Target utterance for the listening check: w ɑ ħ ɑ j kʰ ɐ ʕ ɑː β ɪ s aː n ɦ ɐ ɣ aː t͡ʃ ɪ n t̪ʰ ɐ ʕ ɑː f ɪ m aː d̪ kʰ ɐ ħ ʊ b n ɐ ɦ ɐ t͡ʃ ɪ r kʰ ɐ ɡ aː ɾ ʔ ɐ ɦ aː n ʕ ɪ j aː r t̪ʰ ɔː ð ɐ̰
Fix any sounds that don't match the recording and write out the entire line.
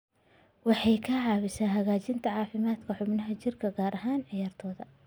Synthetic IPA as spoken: w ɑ ħ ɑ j kʰ ɐ ʕ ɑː β ɪ s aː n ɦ ɐ ɣ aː t͡ʃ ɪ n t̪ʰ ɐ ʕ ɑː f ɪ m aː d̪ kʰ ɐ ħ ʊ b n ɐ ɦ ɐ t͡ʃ ɪ r kʰ ɐ ɡ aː ɾ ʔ ɐ ɦ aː n ʕ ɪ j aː r t̪ʰ ɔː ð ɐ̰